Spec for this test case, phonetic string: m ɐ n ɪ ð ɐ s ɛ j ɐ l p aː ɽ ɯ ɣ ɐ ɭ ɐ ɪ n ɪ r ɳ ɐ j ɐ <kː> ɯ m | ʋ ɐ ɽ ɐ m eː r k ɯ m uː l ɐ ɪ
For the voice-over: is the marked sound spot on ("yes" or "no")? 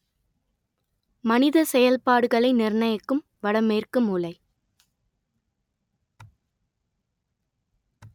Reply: yes